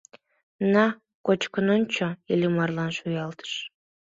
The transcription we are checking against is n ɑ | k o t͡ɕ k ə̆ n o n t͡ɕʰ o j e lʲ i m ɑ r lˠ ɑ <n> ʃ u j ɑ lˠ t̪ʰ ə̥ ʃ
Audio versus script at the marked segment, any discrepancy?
no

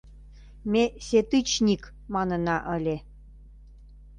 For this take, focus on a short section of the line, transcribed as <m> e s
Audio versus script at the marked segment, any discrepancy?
no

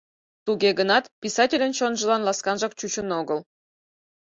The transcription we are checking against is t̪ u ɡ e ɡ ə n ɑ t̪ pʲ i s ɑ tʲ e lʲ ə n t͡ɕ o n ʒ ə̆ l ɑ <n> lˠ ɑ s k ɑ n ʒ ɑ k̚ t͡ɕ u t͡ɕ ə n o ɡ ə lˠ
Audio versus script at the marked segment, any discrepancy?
no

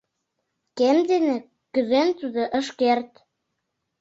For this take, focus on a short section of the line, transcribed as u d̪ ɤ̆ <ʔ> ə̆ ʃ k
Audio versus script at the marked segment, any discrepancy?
no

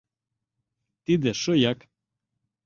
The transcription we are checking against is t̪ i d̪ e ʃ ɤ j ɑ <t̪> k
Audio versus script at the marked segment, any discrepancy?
yes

